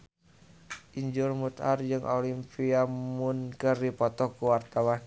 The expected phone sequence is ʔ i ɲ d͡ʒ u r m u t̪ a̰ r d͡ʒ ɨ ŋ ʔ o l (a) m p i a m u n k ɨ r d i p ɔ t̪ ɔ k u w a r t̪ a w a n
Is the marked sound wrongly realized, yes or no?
yes